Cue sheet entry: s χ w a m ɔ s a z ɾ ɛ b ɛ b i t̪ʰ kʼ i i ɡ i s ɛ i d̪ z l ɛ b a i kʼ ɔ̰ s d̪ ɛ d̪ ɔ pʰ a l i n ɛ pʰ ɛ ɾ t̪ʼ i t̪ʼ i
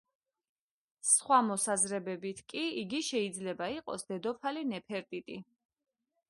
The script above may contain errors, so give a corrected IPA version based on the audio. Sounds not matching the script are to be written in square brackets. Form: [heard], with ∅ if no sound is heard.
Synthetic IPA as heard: s χ w a m ɔ s a z ɾ ɛ b ɛ b i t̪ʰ kʼ i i ɡ i [ʃ] ɛ i d̪ z l ɛ b a i [qʼ] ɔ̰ s d̪ ɛ d̪ ɔ pʰ a l i n ɛ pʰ ɛ ɾ t̪ʼ i t̪ʼ i